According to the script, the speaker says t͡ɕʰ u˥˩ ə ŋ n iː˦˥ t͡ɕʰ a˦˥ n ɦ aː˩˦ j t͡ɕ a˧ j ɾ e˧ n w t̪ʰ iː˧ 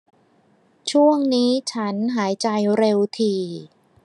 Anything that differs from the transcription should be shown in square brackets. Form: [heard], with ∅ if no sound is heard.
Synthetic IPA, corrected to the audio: t͡ɕʰ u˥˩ ə ŋ n iː˦˥ t͡ɕʰ a˦˥ n ɦ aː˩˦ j t͡ɕ a˧ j ɾ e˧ [∅] w t̪ʰ iː˧